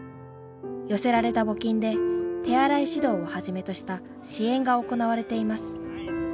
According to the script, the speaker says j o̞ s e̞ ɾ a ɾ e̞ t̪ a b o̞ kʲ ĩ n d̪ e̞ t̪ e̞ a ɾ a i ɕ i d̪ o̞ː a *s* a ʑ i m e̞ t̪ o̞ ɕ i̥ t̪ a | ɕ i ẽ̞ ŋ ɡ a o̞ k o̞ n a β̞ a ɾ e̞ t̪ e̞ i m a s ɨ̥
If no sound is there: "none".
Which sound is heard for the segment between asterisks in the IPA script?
h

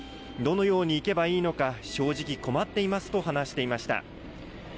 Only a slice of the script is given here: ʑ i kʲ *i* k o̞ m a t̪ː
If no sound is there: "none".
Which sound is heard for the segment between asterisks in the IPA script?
i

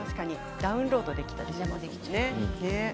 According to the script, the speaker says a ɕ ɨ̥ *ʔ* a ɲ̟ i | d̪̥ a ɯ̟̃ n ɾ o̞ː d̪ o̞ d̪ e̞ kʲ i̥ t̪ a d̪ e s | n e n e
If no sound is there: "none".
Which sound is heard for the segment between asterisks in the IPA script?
k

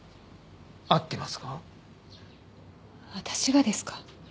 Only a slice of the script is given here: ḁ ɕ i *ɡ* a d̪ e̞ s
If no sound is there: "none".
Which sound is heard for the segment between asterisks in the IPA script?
ɡ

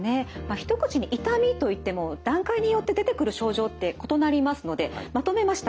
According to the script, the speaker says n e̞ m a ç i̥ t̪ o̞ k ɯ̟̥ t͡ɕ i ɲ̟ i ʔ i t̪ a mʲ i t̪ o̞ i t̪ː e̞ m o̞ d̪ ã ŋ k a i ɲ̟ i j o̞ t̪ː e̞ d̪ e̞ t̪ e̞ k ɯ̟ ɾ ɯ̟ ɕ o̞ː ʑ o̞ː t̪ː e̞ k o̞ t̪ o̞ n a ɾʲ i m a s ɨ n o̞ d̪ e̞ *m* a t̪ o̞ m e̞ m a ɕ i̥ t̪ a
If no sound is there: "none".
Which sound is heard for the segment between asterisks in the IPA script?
m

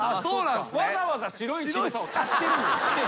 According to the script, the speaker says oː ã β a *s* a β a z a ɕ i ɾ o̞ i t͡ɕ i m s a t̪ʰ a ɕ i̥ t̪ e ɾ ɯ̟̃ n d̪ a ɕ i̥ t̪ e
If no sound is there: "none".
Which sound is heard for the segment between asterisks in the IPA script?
z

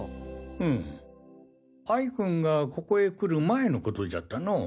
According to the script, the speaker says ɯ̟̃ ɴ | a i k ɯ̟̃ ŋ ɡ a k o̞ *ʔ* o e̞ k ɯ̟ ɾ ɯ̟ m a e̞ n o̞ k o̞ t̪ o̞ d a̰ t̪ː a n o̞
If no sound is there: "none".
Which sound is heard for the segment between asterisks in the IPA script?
k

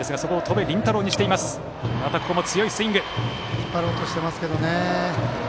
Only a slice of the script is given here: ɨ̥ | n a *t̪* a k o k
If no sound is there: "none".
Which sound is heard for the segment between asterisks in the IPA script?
t̪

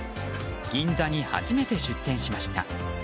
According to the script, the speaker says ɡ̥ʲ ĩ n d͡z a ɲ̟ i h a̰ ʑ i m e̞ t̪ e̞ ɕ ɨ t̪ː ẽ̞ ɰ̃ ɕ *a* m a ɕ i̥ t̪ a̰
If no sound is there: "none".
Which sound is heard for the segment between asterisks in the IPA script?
i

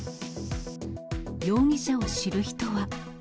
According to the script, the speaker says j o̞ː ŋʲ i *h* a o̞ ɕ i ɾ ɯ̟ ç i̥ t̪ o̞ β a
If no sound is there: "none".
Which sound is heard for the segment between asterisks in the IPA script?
ɕ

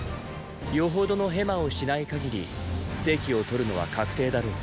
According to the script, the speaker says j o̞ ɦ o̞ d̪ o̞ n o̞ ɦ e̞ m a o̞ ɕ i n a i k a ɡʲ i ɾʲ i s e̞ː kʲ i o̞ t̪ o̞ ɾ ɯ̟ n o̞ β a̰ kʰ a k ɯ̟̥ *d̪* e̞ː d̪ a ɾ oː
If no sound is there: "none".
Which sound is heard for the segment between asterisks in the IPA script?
t̪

